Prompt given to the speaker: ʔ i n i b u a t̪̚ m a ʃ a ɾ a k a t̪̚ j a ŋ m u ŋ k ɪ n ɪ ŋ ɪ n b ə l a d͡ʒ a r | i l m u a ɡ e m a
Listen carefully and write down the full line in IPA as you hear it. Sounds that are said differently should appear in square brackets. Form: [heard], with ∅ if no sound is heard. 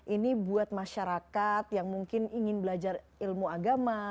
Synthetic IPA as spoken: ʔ i n i b u a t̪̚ m a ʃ a ɾ a k a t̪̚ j a ŋ m u ŋ k ɪ n [i] ŋ ɪ n b ə l a d͡ʒ a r | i l m u a ɡ [a] m a